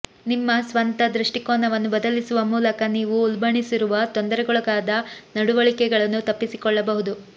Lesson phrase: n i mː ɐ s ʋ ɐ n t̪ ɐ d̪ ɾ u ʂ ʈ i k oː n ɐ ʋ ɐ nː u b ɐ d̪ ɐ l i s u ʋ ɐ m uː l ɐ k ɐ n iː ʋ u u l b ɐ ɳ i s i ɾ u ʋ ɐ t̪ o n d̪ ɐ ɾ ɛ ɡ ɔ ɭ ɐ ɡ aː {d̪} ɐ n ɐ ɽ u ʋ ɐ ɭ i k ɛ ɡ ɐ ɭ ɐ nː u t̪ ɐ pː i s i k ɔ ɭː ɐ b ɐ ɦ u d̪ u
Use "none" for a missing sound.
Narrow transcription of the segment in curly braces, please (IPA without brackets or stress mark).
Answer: d̪